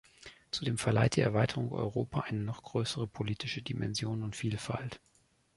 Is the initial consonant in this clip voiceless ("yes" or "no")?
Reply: yes